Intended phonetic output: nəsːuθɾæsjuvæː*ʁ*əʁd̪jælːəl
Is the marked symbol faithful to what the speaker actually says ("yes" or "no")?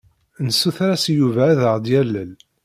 no